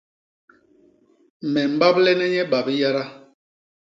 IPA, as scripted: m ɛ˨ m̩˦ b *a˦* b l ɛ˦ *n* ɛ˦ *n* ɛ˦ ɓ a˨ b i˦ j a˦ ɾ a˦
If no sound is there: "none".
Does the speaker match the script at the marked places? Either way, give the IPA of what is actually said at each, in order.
a˦, n, ɲ

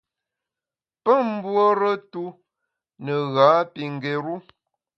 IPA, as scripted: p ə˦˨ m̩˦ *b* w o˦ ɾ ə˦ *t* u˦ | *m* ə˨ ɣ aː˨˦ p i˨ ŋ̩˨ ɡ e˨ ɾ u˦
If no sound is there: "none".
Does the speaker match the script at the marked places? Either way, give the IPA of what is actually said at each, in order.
b, t, n

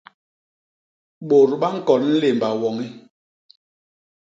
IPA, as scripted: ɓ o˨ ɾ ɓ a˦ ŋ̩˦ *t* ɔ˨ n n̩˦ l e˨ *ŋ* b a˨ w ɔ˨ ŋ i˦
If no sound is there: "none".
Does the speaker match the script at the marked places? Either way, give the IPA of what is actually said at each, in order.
k, m

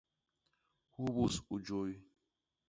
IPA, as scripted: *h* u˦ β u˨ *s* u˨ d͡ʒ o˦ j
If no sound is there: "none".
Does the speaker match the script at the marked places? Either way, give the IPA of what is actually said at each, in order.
h, s

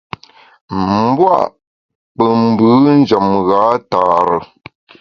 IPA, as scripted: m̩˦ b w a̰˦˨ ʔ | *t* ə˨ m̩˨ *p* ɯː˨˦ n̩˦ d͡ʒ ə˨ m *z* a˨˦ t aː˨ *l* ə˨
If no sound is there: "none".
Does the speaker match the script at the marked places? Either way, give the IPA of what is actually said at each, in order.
p, b, ɣ, ɾ

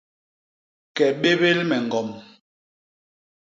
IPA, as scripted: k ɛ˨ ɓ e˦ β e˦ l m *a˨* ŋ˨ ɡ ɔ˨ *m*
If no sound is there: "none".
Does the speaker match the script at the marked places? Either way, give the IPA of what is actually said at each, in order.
ɛ˨, m

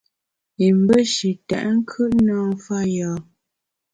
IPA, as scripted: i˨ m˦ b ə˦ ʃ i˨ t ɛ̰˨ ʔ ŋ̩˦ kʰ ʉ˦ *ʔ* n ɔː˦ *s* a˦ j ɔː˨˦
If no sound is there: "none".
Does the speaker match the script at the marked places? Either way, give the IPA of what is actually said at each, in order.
ʔ, f

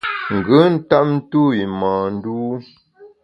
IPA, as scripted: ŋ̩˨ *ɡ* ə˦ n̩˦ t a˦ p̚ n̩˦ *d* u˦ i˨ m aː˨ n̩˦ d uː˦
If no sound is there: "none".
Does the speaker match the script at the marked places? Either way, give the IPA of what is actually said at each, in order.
ɡ, t

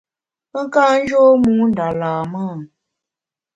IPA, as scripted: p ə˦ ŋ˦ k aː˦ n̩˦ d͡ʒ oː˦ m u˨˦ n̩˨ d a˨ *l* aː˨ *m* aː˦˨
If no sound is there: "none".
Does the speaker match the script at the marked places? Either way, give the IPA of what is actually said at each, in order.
l, m

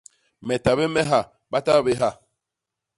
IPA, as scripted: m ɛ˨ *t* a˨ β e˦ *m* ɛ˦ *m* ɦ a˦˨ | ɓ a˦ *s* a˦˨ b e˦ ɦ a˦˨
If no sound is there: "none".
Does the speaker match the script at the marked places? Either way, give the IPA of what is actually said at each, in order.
t, m, none, t

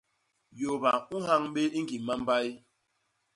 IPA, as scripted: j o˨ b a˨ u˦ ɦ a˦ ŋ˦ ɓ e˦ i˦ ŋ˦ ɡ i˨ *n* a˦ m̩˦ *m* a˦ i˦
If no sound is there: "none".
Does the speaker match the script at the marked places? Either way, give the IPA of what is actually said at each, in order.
m, b

